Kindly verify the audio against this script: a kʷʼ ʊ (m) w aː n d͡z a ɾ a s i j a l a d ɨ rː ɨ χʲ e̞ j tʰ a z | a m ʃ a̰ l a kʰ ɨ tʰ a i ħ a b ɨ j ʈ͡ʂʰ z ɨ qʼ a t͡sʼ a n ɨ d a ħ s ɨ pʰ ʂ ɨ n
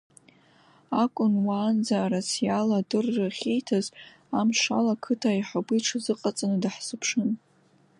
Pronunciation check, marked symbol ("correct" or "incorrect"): incorrect